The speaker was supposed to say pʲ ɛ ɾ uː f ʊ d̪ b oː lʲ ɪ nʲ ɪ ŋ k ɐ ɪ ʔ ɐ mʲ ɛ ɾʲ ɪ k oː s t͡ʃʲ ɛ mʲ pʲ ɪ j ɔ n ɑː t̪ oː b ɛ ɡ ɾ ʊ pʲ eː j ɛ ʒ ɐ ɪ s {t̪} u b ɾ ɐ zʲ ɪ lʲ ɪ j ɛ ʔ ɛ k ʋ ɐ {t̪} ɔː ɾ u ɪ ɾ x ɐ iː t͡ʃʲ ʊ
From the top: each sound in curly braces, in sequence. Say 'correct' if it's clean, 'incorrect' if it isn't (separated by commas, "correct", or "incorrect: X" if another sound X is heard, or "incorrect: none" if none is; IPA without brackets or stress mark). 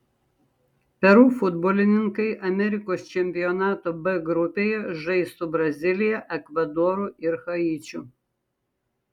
correct, incorrect: d̪